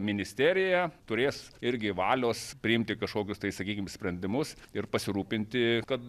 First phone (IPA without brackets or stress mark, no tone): mʲ